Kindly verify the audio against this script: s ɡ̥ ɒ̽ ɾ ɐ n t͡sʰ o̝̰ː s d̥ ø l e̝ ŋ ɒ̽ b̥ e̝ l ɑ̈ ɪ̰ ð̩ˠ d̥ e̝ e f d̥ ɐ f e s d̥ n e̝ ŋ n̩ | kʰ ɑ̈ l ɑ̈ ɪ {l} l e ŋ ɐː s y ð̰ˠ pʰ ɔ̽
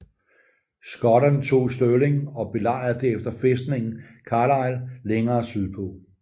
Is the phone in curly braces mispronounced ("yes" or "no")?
no